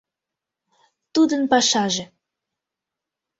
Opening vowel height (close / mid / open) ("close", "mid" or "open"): close